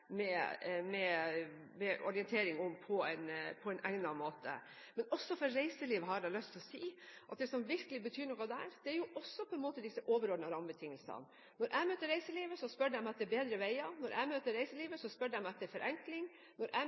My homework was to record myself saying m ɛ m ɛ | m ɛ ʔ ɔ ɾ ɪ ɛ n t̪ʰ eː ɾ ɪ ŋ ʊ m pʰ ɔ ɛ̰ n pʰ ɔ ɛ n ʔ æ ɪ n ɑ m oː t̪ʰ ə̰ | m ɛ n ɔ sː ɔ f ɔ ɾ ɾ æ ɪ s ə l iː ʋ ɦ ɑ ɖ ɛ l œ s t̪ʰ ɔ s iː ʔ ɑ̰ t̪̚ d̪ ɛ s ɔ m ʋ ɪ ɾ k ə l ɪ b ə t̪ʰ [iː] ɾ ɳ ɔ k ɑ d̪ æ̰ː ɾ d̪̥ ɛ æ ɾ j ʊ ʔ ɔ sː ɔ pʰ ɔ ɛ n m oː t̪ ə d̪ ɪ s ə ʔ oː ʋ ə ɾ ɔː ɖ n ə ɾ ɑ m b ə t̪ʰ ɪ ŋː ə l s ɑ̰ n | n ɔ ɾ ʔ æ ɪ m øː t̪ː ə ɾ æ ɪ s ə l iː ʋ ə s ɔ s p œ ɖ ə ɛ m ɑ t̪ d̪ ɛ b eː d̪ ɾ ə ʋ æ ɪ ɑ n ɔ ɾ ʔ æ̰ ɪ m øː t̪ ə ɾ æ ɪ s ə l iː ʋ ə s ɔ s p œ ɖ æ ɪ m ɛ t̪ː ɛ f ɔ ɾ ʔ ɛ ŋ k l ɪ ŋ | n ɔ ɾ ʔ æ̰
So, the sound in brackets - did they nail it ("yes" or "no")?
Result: no